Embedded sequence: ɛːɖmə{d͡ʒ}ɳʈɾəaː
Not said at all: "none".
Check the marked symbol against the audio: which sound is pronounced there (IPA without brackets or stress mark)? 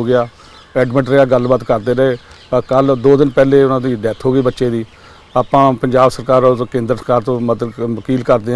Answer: none